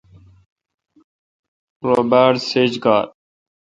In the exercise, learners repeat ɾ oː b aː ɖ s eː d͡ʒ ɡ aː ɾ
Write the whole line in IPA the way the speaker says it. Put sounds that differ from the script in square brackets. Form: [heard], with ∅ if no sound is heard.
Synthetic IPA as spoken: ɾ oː b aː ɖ s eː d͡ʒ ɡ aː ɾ